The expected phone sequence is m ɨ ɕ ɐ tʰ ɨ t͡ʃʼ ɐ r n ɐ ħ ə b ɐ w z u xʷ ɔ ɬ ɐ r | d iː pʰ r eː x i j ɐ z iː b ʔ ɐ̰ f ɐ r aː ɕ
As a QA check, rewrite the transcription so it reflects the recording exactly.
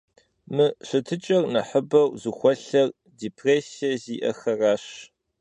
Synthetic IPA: m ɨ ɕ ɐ tʰ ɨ t͡ʃʼ ɐ r n ɐ ħ ə b ɐ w z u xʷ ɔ ɬ ɐ r | d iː pʰ r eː s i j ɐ z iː ʔ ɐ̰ x ɐ r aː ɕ